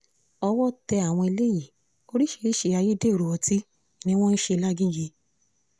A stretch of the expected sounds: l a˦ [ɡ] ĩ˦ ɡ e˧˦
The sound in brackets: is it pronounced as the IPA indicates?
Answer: yes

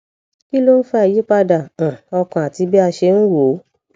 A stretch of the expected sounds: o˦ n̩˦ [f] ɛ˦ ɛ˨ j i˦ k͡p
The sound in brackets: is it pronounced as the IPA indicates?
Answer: yes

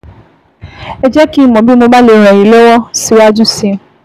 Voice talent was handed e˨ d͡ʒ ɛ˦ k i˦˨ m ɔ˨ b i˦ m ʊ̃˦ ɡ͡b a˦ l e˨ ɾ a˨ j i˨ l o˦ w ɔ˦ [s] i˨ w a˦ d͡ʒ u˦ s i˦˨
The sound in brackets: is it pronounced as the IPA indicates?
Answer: yes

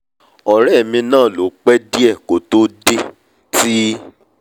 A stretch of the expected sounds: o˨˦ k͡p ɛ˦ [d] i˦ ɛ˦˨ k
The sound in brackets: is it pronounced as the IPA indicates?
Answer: yes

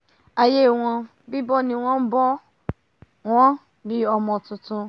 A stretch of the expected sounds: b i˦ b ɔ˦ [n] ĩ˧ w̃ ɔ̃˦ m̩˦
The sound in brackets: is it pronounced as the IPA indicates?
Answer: yes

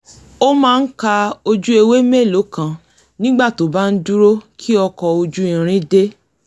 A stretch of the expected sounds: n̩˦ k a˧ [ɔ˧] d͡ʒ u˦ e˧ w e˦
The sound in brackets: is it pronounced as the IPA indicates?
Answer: no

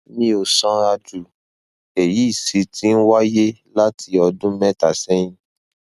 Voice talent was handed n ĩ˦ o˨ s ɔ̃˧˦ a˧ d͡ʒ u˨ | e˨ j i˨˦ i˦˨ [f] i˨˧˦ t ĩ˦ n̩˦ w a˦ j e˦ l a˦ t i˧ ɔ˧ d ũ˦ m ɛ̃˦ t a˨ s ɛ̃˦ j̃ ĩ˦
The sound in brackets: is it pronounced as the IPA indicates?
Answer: no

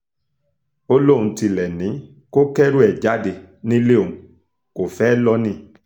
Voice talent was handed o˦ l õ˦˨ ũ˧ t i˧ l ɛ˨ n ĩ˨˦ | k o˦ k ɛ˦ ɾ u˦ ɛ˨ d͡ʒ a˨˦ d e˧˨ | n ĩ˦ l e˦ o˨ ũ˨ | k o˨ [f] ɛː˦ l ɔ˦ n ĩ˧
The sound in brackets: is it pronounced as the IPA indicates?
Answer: yes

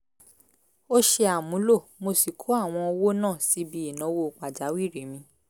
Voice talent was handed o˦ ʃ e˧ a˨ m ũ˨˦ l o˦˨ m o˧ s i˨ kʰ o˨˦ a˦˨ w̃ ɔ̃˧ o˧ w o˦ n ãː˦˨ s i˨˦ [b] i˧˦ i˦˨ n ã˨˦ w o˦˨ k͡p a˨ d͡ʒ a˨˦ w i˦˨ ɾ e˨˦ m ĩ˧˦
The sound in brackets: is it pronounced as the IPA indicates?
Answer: yes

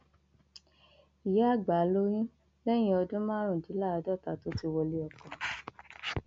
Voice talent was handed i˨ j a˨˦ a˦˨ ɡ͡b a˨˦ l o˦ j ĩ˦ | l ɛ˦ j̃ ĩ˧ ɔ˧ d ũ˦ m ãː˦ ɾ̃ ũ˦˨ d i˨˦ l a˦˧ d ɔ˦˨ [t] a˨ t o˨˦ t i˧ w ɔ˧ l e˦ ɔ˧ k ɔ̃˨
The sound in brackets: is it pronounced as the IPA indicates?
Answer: yes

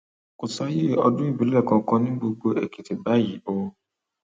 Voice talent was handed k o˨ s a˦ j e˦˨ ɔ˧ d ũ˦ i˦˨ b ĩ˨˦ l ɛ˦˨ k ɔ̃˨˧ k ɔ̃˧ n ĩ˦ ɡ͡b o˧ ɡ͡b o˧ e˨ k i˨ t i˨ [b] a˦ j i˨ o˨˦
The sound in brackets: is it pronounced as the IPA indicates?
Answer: yes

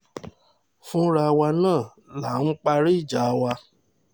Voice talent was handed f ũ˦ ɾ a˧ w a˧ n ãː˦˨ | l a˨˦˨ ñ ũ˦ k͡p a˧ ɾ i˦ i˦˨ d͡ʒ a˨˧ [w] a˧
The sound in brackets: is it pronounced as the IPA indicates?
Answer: yes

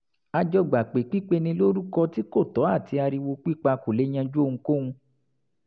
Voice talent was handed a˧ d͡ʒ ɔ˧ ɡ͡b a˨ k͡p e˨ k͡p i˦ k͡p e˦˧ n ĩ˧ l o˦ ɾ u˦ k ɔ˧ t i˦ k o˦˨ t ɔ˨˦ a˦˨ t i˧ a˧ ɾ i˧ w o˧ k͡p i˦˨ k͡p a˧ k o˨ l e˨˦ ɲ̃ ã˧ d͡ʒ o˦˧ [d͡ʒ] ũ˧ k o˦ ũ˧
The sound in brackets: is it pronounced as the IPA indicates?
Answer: no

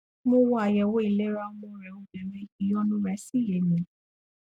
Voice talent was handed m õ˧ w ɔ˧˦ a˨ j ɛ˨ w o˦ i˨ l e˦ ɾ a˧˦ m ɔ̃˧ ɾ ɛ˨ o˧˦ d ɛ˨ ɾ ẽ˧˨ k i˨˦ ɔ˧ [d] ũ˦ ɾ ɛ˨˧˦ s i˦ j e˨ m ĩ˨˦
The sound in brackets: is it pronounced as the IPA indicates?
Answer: no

